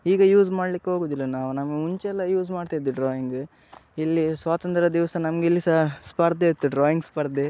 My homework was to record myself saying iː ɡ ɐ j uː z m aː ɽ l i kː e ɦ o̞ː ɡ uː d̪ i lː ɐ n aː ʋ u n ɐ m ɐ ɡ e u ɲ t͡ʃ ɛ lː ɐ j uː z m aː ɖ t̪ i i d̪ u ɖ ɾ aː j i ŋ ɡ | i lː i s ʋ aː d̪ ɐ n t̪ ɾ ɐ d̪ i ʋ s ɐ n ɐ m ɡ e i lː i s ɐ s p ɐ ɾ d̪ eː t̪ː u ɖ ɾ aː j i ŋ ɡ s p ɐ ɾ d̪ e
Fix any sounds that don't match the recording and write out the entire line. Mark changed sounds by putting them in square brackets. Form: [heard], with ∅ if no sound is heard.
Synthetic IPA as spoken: iː ɡ ɐ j uː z m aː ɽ l i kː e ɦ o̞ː ɡ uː d̪ i lː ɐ n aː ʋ u n ɐ m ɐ ɡ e u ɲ t͡ʃ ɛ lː ɐ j uː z m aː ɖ t̪ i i d̪ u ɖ ɾ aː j i ŋ ɡ | i lː i s ʋ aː [t̪] ɐ n t̪ ɾ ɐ d̪ i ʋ s ɐ n ɐ m ɡ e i lː i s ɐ s p ɐ ɾ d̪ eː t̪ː u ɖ ɾ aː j i ŋ ɡ s p ɐ ɾ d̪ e